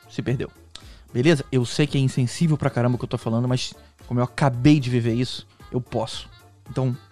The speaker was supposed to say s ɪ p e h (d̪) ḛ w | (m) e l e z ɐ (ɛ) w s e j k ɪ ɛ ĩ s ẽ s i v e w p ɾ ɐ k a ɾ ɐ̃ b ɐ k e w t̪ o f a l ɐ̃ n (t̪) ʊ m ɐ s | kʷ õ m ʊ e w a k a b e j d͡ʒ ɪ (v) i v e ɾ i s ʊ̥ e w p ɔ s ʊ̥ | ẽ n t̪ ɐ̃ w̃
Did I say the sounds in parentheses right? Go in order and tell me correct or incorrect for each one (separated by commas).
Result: correct, incorrect, incorrect, incorrect, correct